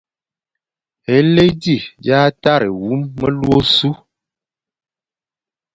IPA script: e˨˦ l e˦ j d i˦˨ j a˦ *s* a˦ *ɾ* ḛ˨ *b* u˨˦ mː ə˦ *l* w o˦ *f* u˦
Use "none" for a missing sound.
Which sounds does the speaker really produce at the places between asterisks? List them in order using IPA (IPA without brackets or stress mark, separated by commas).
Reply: t, ɾ, w, l, s